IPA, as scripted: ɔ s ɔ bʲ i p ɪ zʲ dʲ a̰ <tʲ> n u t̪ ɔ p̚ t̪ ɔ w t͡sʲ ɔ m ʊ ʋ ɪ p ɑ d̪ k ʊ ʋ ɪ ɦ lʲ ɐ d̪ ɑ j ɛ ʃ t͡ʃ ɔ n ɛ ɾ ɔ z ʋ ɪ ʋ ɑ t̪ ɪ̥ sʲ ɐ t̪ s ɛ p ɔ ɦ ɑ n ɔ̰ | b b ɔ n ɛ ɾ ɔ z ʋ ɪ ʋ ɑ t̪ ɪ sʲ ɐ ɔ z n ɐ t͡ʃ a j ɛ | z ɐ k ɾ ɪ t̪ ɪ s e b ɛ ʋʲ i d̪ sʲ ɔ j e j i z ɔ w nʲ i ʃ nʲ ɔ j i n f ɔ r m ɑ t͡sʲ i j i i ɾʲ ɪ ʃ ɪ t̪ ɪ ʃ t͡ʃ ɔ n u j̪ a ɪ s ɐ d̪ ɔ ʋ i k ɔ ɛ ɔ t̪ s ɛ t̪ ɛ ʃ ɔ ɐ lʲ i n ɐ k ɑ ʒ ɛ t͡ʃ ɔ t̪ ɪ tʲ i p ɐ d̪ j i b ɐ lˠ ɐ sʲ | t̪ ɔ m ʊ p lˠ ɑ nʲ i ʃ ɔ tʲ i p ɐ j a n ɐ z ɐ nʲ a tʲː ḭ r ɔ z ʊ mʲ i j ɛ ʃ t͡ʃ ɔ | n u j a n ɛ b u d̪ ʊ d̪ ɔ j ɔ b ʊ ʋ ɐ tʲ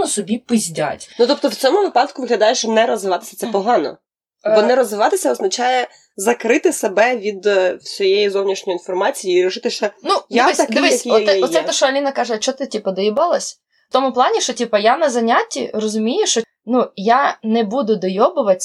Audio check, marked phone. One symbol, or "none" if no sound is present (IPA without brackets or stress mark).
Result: tʲ